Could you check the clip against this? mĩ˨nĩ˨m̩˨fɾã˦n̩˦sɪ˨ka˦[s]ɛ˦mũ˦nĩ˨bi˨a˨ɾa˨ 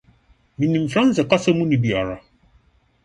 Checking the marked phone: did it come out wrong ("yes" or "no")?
no